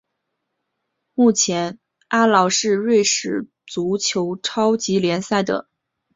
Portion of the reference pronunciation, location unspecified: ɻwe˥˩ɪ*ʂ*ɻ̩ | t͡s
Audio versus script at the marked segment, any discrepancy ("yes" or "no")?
no